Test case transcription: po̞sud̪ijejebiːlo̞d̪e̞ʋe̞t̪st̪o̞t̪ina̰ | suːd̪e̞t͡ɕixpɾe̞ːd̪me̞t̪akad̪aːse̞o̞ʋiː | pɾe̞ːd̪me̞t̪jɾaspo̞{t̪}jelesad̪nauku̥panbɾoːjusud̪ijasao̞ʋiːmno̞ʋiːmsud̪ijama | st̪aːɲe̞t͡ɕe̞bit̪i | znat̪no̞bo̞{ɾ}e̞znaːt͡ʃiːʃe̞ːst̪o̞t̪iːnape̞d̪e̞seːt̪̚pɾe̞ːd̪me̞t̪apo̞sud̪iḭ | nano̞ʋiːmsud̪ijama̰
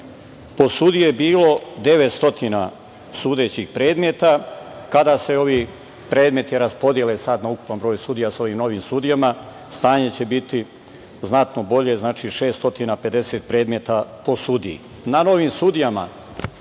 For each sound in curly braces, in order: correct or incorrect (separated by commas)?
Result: incorrect, incorrect